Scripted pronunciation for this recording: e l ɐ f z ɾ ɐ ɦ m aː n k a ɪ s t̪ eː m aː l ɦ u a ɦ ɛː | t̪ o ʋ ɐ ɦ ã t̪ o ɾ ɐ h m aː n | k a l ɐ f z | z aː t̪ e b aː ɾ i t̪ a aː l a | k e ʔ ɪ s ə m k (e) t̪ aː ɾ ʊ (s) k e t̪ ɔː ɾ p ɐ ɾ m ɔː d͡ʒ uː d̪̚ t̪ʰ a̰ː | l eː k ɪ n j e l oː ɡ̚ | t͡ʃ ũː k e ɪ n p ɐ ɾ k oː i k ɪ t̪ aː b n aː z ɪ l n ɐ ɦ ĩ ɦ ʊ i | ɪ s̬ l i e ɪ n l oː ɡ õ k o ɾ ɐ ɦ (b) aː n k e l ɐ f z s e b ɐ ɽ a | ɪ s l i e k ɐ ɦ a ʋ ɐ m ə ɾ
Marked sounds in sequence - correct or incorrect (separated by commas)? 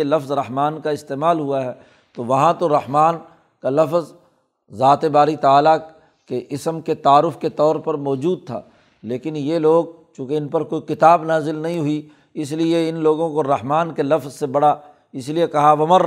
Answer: correct, incorrect, incorrect